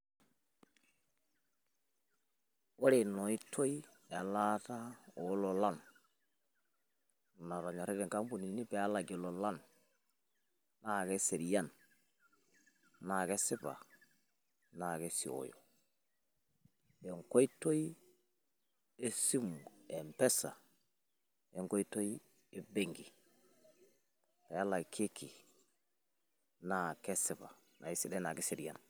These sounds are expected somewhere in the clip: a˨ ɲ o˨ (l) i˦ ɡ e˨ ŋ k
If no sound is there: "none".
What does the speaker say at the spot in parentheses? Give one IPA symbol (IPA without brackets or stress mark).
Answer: ɾ